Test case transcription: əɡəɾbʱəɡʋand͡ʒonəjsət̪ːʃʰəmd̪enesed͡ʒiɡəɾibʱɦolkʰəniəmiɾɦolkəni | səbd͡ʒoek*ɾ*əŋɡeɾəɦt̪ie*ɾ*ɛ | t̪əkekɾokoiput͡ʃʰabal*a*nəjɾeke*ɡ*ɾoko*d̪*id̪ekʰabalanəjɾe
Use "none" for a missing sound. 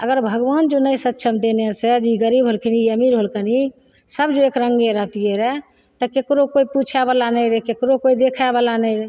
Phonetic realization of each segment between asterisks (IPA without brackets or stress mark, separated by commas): ɾ, ɾ, a, k, none